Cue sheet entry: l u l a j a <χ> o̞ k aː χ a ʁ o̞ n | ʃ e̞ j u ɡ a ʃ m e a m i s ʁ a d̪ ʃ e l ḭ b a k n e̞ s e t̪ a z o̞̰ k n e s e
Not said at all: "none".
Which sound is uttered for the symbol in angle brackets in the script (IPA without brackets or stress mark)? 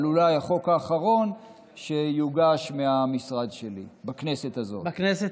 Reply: χ